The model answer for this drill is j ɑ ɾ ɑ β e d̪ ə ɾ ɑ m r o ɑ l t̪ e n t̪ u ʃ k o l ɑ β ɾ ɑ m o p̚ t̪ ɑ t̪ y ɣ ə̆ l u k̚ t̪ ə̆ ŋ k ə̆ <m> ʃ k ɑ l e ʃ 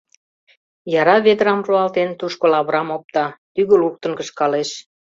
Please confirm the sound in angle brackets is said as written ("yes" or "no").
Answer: no